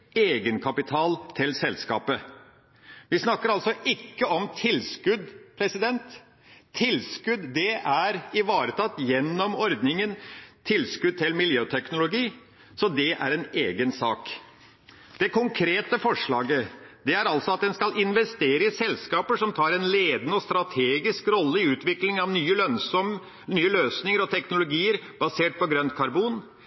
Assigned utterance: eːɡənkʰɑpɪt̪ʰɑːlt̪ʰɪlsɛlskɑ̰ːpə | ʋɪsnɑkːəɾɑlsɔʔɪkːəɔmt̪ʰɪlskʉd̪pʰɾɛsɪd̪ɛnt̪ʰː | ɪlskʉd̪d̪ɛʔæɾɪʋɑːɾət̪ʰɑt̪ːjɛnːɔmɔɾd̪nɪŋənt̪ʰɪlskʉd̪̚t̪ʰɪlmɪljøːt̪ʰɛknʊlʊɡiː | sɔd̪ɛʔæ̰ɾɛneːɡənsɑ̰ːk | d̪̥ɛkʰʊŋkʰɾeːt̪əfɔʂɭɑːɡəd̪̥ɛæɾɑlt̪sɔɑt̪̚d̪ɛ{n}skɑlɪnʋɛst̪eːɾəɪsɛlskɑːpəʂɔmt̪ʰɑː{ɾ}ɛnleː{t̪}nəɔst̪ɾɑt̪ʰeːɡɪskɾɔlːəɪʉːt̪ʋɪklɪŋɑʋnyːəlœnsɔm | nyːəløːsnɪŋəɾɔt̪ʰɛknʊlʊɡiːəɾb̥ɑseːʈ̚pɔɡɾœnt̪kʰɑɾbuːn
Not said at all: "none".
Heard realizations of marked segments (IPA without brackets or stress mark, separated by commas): n, ɾ, d̪